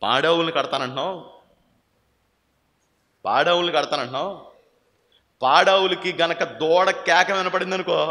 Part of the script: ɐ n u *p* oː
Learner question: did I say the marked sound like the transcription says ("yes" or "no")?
no